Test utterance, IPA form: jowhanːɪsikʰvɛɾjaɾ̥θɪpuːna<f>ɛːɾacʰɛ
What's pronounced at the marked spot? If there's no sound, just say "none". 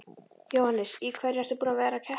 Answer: v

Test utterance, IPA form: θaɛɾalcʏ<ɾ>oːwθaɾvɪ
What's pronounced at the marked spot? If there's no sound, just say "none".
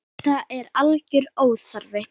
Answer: ɾ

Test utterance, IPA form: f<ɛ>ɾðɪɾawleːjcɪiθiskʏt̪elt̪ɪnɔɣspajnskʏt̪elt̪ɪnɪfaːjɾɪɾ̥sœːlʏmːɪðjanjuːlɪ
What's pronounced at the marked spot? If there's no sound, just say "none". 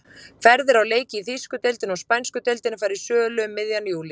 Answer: ɛ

